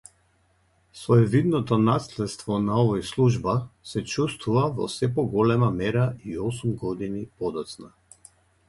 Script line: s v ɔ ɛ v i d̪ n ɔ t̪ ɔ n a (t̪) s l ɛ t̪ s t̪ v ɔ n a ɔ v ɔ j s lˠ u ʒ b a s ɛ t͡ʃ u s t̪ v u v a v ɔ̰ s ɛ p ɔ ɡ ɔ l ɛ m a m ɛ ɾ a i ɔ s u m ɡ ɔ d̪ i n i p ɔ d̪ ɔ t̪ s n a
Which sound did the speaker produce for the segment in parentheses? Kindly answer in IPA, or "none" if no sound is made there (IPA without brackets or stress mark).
none